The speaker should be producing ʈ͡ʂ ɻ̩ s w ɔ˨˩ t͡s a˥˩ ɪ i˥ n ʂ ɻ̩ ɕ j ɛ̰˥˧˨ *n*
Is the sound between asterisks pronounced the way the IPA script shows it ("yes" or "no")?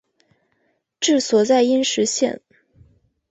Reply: yes